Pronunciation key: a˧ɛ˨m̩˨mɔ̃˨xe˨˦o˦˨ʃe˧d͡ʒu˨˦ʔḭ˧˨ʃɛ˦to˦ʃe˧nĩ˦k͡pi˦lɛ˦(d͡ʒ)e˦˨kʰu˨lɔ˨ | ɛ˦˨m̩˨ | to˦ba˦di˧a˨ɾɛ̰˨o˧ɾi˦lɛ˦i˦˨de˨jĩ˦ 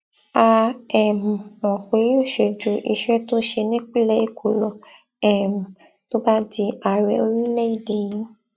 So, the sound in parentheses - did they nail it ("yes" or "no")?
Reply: no